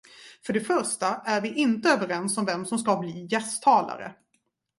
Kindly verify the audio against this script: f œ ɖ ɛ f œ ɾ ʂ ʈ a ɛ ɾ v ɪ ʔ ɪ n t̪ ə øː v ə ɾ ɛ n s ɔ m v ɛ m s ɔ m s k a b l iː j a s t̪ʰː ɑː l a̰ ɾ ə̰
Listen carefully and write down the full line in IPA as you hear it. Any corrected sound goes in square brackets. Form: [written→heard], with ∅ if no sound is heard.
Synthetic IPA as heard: f œ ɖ ɛ f œ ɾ ʂ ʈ a [ɛ→æ] ɾ v ɪ ʔ ɪ n t̪ ə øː v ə ɾ ɛ n s ɔ m v ɛ m s ɔ m s k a b l iː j [a→ɛ] s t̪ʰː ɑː l a̰ ɾ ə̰

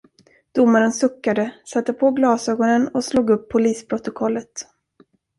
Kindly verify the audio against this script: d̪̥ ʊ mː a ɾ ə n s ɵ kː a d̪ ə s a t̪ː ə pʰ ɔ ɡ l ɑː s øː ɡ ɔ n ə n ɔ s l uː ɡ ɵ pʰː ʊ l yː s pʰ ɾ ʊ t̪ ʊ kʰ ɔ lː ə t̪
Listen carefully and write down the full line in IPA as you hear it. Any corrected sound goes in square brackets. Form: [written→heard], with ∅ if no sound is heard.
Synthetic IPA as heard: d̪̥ ʊ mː a ɾ ə n s ɵ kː a d̪ ə s a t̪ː ə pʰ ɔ ɡ l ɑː s øː ɡ ɔ n ə n ɔ s l uː ɡ ɵ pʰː ʊ l [yː→iː] s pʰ ɾ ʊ t̪ ʊ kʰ ɔ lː ə t̪

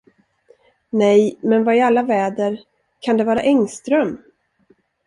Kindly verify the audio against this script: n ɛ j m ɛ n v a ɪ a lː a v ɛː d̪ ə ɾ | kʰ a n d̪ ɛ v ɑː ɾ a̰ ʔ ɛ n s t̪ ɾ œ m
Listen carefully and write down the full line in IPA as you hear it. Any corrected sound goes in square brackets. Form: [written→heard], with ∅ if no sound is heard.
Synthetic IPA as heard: n ɛ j m ɛ n v a ɪ a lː a v ɛː d̪ ə ɾ | kʰ a n d̪ ɛ v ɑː ɾ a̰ ʔ ɛ [n→ŋ] s t̪ ɾ œ m

